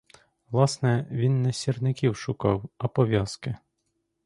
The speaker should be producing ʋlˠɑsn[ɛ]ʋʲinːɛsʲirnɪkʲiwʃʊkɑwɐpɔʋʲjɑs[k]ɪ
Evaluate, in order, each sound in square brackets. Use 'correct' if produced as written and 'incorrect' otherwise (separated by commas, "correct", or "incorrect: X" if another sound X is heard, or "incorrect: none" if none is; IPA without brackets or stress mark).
correct, correct